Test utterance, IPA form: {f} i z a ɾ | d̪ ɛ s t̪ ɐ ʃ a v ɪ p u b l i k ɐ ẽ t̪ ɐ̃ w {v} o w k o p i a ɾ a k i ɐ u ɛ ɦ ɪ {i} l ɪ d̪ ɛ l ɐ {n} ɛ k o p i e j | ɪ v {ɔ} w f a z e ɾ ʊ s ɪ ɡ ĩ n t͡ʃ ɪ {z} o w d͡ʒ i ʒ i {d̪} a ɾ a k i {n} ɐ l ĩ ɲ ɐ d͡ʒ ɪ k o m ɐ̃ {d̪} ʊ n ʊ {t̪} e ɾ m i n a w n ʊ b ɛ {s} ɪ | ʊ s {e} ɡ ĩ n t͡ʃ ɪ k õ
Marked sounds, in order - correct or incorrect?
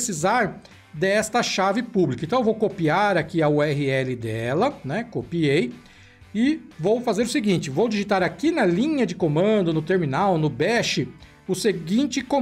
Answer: incorrect: s, correct, incorrect: ɛ, correct, incorrect: o, incorrect: v, incorrect: t̪, correct, correct, correct, incorrect: ʃ, correct

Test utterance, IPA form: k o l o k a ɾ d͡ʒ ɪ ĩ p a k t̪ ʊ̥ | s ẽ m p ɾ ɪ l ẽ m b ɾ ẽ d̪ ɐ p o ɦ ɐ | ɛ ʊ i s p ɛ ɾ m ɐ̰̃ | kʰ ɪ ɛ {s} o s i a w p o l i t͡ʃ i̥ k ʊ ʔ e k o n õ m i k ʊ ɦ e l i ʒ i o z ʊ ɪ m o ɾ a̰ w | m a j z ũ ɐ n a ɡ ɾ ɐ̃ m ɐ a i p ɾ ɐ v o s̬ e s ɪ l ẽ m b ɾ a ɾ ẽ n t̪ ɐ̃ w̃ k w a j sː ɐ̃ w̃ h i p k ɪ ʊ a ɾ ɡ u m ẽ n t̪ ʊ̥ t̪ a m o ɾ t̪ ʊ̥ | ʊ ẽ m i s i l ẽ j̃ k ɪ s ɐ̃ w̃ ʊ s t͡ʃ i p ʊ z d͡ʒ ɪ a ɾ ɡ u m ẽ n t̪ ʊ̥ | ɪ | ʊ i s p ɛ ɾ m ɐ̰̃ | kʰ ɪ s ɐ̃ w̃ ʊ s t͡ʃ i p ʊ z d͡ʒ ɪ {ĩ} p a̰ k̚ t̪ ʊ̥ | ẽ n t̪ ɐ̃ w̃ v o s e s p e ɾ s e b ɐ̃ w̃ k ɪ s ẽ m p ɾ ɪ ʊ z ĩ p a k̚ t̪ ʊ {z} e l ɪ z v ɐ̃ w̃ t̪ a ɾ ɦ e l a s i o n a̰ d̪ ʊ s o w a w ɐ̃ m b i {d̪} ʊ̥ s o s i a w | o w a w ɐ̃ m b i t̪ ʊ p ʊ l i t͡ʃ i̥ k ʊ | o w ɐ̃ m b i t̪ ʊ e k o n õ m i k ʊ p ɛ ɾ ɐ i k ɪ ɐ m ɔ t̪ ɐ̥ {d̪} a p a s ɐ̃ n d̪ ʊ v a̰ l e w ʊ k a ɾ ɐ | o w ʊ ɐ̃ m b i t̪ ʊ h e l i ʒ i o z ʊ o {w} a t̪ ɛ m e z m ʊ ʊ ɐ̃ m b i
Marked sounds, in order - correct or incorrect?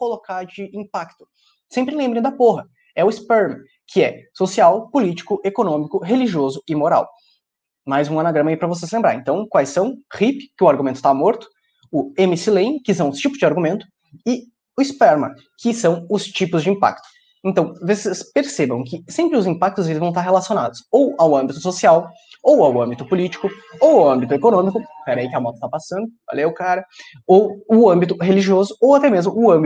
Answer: correct, correct, correct, incorrect: t̪, incorrect: t̪, correct

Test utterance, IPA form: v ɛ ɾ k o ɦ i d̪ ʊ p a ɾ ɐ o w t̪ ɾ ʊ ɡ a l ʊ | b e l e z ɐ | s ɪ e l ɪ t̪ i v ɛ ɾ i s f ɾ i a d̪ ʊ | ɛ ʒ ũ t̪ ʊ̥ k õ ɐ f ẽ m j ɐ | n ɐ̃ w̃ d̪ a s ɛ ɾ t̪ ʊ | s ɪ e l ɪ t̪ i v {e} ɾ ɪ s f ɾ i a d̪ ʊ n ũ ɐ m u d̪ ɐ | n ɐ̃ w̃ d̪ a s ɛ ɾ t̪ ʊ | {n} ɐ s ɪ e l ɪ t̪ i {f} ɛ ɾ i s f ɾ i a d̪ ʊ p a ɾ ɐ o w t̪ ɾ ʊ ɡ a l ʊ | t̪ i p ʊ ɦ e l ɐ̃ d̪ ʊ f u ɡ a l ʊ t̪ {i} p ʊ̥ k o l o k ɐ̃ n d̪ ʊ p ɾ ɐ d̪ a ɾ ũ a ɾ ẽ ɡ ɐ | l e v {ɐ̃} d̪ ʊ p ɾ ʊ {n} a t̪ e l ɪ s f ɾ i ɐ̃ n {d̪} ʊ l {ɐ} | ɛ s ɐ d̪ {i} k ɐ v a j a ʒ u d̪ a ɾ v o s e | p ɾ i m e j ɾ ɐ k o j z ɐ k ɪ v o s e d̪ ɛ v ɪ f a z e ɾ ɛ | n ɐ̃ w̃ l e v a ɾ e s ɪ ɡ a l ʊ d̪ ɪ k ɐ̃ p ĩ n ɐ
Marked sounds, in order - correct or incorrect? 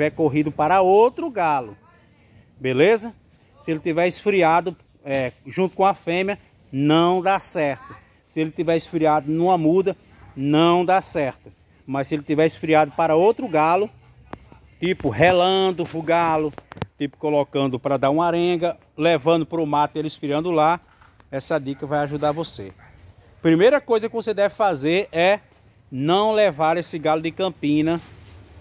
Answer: incorrect: ɛ, incorrect: m, incorrect: v, correct, correct, incorrect: m, correct, incorrect: a, correct

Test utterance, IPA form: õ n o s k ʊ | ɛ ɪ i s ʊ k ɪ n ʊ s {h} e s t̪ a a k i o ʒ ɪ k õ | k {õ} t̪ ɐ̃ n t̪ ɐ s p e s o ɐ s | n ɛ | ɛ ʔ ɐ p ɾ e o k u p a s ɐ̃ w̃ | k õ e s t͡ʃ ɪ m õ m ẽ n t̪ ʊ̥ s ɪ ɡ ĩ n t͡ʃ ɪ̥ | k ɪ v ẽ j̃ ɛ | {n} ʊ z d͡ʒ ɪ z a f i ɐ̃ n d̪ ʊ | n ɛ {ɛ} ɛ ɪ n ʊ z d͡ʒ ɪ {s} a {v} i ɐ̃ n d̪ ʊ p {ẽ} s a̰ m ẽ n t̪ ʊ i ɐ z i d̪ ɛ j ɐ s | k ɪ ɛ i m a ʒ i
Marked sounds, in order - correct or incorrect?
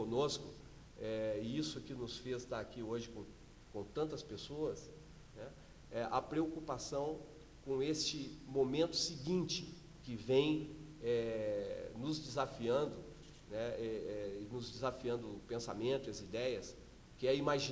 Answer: incorrect: f, correct, correct, correct, incorrect: z, incorrect: f, correct

